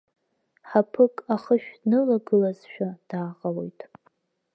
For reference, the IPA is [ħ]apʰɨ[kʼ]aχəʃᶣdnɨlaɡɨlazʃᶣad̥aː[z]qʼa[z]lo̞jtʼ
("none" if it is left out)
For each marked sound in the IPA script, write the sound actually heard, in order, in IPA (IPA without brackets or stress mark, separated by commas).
ħ, kʼ, none, none